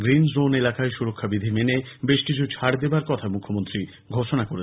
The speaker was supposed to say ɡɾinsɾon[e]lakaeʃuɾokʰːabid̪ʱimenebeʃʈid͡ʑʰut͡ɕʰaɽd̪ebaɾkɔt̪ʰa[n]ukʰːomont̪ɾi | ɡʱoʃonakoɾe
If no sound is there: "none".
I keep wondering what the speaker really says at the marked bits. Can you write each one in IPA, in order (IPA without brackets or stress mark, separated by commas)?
e, m